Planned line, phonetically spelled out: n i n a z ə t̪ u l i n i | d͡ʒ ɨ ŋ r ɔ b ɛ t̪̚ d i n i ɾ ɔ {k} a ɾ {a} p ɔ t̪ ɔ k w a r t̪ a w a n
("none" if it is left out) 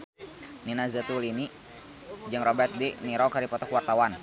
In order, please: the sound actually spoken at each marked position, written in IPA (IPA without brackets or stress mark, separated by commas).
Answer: k, i